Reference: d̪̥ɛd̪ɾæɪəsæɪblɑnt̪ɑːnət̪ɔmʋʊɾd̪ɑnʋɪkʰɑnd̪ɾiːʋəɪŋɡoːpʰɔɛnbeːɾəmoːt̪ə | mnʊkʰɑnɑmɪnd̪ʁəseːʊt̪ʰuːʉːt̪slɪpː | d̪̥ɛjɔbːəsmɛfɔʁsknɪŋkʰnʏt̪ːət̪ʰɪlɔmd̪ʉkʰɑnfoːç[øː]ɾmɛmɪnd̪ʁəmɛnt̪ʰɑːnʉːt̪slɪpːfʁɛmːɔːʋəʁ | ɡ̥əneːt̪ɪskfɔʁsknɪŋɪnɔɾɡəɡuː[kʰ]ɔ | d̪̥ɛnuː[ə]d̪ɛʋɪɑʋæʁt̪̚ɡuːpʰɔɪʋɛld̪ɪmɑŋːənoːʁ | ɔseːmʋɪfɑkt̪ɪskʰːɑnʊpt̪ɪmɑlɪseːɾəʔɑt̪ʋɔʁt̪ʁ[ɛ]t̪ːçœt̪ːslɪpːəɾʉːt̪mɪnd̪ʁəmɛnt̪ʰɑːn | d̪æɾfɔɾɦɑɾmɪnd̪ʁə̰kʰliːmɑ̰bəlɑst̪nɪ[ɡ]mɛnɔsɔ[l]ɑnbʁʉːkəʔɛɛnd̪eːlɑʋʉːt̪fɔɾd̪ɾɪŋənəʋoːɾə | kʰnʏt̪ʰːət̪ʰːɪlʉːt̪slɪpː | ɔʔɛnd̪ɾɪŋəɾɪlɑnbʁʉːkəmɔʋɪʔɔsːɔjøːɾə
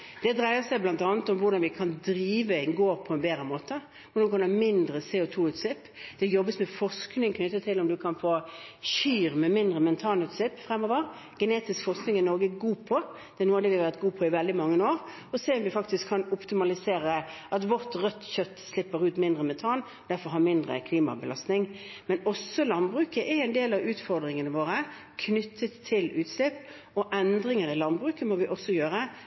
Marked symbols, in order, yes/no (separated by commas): no, no, no, no, no, yes